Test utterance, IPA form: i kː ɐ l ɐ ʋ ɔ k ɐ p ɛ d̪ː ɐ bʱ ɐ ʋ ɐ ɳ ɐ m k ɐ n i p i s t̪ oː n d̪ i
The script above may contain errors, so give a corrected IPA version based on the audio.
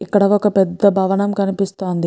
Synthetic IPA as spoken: i kː ɐ ɽ ɐ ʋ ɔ k ɐ p ɛ d̪ː ɐ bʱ ɐ ʋ ɐ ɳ ɐ m k ɐ n i p i s t̪ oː n d̪ i